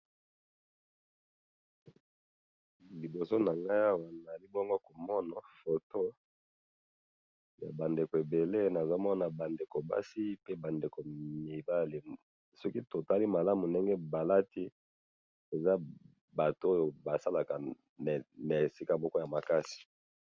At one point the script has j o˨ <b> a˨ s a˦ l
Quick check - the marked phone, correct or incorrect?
correct